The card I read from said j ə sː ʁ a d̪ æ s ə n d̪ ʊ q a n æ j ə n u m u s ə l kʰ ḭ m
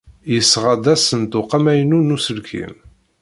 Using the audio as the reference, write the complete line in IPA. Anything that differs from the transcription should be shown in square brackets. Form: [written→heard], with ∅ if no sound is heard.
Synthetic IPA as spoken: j ə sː ʁ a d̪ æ s ə n [d̪→t̪] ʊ q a [n→m] æ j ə n u [m→n] u s ə l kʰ ḭ m